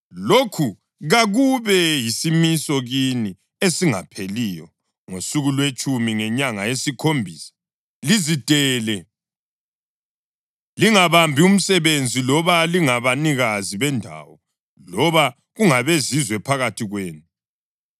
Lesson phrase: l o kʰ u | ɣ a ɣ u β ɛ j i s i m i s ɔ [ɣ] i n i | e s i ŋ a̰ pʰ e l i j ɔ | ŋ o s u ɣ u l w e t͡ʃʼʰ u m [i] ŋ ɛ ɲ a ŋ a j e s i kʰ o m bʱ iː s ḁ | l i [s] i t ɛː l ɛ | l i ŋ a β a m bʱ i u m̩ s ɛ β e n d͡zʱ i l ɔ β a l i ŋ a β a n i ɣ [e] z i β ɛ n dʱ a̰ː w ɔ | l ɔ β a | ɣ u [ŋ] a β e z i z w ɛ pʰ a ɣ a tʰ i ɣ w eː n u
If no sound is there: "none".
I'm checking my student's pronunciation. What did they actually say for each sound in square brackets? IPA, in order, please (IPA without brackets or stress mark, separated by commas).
ɣ, i, z, a, ŋ